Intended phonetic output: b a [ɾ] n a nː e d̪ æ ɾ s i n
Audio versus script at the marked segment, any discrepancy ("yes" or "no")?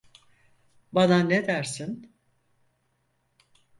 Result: yes